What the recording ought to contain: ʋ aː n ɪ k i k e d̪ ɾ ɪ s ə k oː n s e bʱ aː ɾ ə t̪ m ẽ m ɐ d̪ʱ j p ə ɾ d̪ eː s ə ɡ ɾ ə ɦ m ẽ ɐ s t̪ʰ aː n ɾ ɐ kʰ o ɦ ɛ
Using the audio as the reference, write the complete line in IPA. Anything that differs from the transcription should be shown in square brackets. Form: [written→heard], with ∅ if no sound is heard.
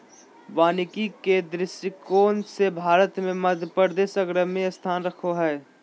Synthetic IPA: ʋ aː n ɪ k i k e d̪ ɾ ɪ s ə k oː n s e bʱ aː ɾ ə t̪ m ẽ m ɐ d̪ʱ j p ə ɾ d̪ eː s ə ɡ ɾ ə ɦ m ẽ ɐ s t̪ʰ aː n ɾ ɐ kʰ o ɦ [ɛ→ɛː]